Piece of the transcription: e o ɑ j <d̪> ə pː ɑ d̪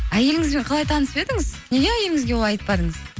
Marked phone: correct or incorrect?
incorrect